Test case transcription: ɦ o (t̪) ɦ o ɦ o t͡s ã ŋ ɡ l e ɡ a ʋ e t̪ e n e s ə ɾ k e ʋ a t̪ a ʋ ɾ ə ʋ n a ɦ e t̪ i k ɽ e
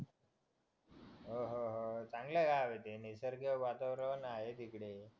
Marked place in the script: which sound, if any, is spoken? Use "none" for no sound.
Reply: none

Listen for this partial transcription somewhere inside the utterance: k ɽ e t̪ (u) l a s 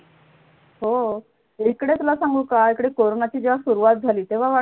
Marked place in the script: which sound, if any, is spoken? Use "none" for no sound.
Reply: u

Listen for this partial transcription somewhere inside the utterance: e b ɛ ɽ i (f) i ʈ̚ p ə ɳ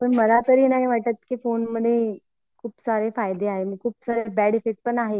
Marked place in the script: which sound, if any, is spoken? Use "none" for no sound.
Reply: f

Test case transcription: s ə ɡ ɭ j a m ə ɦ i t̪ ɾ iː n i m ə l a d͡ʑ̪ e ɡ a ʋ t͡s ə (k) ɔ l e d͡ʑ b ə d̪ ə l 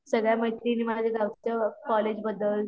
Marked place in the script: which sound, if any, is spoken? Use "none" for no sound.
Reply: k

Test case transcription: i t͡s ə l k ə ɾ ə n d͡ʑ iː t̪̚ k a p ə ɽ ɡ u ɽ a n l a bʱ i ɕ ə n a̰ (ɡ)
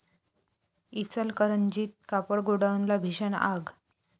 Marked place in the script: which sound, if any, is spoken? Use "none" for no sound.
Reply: ɡ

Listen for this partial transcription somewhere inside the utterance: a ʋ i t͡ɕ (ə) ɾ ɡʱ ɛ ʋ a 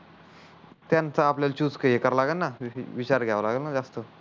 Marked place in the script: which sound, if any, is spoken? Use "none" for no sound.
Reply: a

